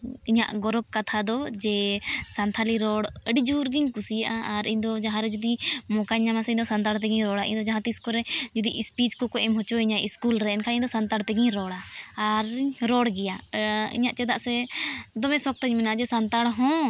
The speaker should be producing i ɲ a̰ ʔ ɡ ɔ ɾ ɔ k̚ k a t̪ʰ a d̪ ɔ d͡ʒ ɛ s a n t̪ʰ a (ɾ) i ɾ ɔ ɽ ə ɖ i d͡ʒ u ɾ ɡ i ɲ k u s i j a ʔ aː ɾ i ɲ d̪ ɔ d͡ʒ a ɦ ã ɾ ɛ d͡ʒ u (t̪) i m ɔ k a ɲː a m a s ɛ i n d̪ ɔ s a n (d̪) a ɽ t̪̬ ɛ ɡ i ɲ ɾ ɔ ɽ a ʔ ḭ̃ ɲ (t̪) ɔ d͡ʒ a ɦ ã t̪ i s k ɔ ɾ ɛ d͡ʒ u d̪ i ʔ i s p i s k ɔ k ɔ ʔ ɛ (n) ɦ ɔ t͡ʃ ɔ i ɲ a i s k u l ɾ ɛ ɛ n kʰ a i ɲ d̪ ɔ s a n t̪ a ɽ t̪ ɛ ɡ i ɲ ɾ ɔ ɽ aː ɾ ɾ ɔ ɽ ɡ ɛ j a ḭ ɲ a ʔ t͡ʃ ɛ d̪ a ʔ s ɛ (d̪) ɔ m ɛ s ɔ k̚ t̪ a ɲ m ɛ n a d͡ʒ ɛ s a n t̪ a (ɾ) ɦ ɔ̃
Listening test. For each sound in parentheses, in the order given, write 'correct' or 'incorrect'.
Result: incorrect: l, incorrect: d̪, incorrect: t̪, incorrect: d̪, incorrect: m, correct, incorrect: ɽ

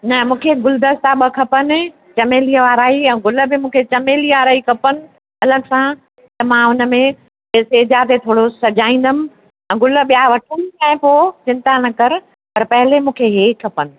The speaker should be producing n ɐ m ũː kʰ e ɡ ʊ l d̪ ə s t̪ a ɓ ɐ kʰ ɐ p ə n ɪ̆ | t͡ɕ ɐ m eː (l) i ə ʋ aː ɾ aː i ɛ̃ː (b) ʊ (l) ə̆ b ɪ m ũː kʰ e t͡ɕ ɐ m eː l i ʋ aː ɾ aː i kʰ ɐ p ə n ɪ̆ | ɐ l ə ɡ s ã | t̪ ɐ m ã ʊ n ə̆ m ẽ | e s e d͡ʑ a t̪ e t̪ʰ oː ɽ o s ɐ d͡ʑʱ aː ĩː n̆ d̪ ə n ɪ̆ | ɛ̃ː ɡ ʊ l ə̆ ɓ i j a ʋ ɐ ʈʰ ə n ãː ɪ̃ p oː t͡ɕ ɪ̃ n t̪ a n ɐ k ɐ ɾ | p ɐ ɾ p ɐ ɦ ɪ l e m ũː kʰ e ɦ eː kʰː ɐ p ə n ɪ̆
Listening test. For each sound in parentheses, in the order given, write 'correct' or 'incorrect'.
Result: correct, incorrect: ɡ, correct

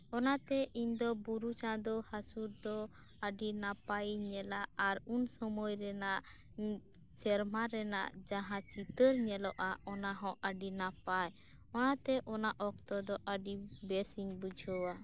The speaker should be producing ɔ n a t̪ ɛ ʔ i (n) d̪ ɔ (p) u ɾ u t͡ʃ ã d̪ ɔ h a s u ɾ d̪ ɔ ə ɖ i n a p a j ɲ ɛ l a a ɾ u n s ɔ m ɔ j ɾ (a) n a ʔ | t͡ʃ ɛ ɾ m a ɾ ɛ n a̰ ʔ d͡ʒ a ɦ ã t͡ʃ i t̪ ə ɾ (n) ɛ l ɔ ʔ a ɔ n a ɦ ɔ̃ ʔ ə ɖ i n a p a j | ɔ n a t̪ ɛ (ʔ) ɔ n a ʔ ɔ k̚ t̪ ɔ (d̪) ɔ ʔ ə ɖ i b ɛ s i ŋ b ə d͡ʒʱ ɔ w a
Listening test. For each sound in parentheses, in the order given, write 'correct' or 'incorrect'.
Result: incorrect: ɲ, incorrect: b, incorrect: ɛ, incorrect: ɲ, correct, correct

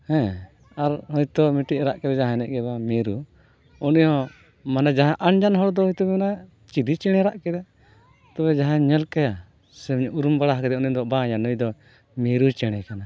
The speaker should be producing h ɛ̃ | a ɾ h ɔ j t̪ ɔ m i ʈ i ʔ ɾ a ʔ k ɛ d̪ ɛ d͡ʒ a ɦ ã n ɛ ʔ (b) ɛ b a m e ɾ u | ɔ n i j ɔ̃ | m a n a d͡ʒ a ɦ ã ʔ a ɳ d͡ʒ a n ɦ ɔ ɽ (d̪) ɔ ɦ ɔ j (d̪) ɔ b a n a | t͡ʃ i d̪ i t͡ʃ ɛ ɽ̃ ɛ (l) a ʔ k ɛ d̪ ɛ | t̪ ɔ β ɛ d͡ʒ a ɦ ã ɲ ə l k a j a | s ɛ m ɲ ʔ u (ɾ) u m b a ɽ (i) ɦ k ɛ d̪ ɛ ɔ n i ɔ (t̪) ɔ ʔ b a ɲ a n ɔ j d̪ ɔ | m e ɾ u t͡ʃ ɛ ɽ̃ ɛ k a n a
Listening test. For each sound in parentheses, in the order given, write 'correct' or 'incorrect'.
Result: incorrect: ɡ, correct, incorrect: t̪, incorrect: ɾ, correct, incorrect: a, incorrect: d̪

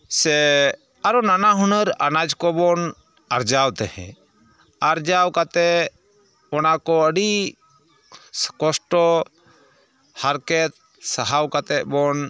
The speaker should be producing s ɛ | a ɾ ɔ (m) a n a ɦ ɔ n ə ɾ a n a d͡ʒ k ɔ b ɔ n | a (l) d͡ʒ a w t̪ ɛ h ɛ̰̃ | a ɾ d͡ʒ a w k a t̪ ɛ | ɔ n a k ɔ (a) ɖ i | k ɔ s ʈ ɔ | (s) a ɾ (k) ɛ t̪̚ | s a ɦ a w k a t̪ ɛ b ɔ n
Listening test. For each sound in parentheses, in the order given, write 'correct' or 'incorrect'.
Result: incorrect: n, incorrect: ɾ, incorrect: ə, incorrect: h, correct

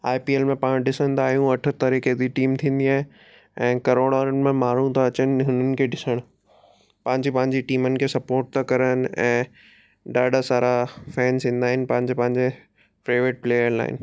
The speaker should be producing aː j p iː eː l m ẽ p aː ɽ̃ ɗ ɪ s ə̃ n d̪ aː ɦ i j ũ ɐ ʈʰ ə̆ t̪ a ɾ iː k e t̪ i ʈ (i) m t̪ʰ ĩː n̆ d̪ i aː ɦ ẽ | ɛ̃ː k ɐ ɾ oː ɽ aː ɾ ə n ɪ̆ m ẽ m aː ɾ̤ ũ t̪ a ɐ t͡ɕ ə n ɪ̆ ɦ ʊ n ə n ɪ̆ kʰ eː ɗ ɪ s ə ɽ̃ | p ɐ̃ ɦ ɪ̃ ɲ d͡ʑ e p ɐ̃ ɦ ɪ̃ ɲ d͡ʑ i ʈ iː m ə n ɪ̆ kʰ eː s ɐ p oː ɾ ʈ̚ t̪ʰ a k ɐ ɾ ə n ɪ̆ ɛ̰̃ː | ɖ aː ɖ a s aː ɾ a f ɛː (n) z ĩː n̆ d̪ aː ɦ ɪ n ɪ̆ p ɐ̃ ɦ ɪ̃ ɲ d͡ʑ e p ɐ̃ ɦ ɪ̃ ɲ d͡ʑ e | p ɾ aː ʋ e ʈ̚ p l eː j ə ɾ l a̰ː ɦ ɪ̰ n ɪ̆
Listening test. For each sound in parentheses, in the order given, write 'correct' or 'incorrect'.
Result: incorrect: iː, correct

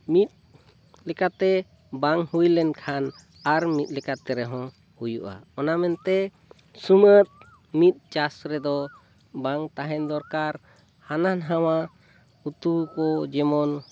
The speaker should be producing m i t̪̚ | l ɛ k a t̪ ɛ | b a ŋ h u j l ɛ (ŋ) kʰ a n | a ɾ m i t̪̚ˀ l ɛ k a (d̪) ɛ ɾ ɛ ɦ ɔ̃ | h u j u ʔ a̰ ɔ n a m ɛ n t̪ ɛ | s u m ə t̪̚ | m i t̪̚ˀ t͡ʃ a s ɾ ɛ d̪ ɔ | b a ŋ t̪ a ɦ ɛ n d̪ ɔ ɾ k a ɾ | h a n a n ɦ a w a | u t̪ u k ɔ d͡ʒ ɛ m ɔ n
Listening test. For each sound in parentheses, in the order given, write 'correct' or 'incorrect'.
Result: incorrect: n, incorrect: t̪

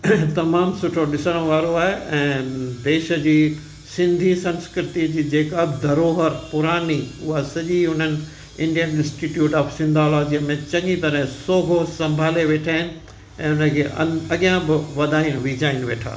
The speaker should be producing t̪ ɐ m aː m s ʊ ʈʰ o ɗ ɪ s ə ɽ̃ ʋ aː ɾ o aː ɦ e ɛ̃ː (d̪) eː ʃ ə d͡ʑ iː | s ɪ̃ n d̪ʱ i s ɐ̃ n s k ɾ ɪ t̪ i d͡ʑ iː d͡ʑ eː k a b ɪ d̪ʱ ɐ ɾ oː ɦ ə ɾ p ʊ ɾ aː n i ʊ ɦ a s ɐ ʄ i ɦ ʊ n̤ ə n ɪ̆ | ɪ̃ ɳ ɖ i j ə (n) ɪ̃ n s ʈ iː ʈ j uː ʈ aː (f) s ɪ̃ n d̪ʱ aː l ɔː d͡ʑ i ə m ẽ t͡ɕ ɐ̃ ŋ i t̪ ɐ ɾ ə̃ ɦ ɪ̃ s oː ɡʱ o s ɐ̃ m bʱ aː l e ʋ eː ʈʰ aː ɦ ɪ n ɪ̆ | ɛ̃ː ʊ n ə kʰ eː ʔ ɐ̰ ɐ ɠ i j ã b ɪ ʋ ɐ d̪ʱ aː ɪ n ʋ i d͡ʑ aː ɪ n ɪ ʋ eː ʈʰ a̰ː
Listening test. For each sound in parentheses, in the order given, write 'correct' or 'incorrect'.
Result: correct, correct, correct

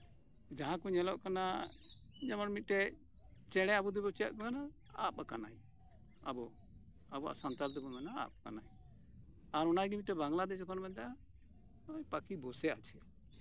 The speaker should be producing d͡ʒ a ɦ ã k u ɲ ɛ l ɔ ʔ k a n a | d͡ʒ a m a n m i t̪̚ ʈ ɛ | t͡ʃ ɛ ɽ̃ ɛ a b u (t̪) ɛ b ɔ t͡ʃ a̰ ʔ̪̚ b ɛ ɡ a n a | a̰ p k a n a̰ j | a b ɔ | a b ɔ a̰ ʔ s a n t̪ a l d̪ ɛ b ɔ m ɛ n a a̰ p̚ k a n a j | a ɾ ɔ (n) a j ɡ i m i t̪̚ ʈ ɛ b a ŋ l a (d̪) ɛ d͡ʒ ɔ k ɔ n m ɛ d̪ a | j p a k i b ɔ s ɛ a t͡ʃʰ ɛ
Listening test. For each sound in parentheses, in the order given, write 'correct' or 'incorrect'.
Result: incorrect: d̪, correct, correct

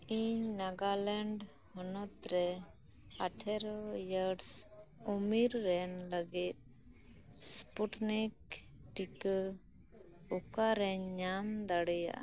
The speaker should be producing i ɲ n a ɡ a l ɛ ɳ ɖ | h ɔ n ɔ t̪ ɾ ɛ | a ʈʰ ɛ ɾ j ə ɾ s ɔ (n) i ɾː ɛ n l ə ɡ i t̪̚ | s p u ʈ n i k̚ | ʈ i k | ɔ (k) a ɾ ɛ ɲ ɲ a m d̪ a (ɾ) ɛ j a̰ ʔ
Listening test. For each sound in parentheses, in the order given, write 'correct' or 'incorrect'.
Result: incorrect: m, correct, incorrect: ɽ

